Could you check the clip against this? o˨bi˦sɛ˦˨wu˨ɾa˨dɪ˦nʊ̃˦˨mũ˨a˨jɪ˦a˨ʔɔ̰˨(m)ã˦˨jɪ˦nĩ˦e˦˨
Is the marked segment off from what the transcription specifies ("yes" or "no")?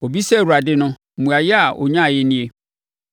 yes